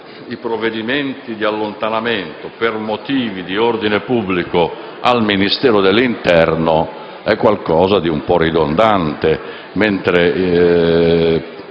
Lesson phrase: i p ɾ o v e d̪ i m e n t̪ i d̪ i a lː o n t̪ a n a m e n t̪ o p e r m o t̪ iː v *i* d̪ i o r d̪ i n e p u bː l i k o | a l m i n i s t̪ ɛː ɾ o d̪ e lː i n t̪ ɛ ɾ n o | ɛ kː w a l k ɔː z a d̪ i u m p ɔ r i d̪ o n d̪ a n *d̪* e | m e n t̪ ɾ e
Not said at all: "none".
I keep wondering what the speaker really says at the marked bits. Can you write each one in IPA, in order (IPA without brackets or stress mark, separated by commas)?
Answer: i, t̪